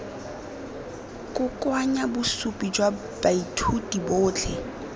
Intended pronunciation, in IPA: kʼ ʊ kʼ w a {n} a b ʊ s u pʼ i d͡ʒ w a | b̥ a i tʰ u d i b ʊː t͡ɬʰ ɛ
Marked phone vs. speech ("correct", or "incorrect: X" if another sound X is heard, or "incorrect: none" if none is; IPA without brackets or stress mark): incorrect: ɲ